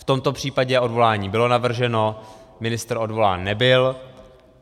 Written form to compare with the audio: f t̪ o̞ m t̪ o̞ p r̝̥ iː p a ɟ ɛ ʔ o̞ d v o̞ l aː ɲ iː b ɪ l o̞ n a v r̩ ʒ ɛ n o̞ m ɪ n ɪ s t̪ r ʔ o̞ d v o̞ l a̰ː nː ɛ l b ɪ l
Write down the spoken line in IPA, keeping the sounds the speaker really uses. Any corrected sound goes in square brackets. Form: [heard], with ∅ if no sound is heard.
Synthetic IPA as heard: f t̪ o̞ m t̪ o̞ p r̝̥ iː p a ɟ ɛ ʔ o̞ d v o̞ l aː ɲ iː b ɪ l o̞ n a v r̩ ʒ ɛ n o̞ m ɪ n ɪ s t̪ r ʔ o̞ d v o̞ l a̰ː nː ɛ [∅] b ɪ l

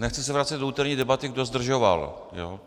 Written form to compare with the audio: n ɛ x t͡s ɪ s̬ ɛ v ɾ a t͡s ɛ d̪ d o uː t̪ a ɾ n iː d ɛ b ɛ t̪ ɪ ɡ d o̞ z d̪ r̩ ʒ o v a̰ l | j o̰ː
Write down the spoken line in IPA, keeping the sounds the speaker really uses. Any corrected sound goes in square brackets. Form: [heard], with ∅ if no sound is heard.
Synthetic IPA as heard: n ɛ x t͡s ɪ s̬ ɛ v ɾ a t͡s ɛ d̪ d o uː t̪ [ɛ] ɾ [ɲ] iː d ɛ b [a] t̪ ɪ ɡ d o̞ z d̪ r̩ ʒ o v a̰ l | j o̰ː

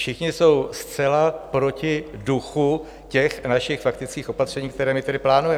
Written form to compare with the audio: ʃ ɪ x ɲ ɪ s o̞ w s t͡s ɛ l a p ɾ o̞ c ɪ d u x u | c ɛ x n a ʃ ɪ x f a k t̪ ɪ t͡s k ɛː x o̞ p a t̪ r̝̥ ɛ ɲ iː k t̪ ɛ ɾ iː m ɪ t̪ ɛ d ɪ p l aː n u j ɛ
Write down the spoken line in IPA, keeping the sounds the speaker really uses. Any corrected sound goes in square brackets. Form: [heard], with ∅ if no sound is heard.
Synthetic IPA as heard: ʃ ɪ x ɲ ɪ s o̞ w s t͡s ɛ l a p ɾ o̞ c ɪ d u x u | c ɛ x n a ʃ ɪ x f a k t̪ ɪ t͡s k [iː] x o̞ p a t̪ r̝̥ ɛ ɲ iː k t̪ ɛ ɾ [ɛː] m ɪ t̪ ɛ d ɪ p l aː n u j ɛ

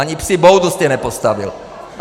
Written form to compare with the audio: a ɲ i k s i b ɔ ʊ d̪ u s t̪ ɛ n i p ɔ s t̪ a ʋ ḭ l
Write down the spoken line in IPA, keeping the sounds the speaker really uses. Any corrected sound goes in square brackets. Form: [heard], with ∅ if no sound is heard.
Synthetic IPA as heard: a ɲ i [p] s i b ɔ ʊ d̪ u s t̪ ɛ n [ɛ] p ɔ s t̪ a ʋ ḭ l

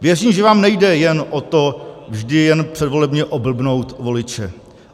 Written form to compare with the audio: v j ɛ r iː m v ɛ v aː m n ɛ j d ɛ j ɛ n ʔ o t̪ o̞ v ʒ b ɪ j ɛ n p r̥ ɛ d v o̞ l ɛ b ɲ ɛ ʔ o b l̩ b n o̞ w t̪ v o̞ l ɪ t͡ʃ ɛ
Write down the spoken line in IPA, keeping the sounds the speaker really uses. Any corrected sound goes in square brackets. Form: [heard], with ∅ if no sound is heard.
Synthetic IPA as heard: v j ɛ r iː m [ʒ] ɛ v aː m n ɛ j d ɛ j ɛ n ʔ o t̪ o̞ v ʒ [d] ɪ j ɛ n p r̥ ɛ d v o̞ l ɛ b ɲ ɛ ʔ o b l̩ b n o̞ w t̪ v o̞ l ɪ t͡ʃ ɛ

